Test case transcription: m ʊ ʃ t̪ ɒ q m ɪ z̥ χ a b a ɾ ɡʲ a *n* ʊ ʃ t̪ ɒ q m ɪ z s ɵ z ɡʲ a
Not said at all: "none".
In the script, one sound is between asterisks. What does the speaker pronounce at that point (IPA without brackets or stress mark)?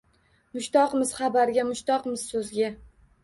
m